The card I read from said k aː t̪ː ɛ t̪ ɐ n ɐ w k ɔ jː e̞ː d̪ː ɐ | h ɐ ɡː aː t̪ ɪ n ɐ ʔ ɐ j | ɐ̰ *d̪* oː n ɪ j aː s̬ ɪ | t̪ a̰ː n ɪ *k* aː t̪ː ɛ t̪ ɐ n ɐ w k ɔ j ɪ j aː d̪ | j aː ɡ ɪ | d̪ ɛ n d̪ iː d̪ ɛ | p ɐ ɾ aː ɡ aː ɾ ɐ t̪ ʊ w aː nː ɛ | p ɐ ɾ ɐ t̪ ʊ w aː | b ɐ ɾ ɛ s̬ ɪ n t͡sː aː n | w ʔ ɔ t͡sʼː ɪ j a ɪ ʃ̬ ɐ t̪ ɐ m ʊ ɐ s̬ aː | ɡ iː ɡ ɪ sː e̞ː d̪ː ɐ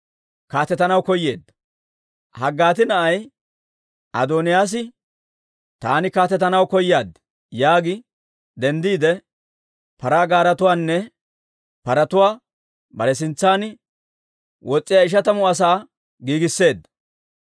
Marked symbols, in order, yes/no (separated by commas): yes, yes